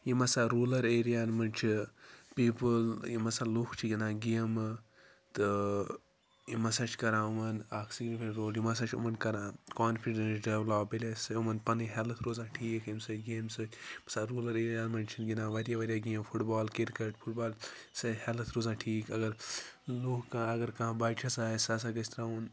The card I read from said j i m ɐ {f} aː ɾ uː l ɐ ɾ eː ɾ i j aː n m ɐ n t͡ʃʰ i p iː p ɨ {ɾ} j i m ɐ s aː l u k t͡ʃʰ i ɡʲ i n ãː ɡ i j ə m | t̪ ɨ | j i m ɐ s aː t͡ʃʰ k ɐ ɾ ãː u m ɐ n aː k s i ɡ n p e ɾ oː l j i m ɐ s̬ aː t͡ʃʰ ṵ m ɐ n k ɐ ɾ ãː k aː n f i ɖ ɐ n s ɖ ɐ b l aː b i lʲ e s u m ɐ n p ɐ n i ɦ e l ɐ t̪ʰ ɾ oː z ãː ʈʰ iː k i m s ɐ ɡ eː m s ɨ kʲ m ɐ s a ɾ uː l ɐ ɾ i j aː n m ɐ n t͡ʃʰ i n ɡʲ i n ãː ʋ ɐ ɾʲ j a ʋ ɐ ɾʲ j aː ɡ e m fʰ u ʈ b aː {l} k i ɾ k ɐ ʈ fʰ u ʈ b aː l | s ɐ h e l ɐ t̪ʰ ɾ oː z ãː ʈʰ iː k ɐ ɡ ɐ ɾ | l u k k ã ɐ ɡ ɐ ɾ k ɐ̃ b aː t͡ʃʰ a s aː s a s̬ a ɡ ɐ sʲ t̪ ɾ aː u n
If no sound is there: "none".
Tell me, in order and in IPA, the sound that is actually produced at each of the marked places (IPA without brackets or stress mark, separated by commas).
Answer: s, l, l